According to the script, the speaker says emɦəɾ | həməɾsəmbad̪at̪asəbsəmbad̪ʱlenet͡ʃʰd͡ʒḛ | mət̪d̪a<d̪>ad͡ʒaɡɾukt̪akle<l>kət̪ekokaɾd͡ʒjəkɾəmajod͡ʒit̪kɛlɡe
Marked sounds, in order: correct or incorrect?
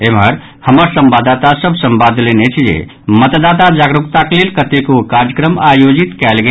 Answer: incorrect, correct

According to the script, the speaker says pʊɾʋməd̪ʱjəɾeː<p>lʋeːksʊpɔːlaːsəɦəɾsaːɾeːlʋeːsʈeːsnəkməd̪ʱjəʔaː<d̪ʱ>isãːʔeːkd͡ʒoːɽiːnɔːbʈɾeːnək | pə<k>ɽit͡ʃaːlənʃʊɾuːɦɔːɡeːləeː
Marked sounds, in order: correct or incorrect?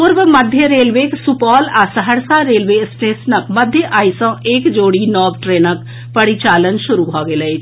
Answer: incorrect, incorrect, incorrect

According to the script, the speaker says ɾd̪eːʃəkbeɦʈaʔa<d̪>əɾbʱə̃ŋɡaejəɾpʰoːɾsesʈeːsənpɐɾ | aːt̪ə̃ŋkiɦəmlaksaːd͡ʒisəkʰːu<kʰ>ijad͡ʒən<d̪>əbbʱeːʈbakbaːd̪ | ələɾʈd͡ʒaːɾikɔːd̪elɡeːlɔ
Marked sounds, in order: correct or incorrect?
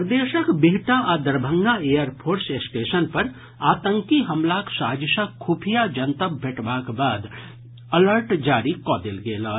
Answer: correct, incorrect, incorrect

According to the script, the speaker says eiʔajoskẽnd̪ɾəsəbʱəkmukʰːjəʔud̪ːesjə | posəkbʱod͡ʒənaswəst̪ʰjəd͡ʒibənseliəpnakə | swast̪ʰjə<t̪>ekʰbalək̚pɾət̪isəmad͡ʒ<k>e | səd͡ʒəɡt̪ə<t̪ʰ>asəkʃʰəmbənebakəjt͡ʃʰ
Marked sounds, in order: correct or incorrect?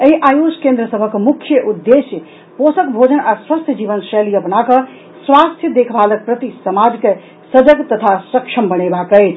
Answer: incorrect, correct, correct

